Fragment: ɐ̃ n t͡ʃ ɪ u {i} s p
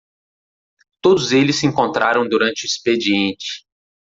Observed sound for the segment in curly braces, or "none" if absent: i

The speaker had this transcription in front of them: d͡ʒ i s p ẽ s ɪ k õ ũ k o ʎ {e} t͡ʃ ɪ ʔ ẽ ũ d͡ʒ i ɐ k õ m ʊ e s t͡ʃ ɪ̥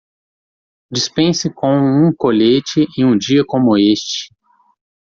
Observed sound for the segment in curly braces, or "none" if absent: e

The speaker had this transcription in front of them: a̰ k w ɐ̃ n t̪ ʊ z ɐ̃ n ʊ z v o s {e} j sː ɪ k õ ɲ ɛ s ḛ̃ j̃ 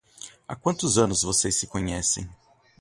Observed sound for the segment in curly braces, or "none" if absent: e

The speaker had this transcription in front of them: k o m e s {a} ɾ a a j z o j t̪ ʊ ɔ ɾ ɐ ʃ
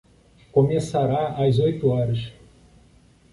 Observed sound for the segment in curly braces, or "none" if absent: a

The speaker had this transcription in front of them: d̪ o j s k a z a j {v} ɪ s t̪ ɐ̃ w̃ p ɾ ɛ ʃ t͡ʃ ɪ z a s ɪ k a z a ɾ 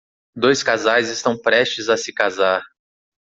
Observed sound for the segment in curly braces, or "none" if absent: z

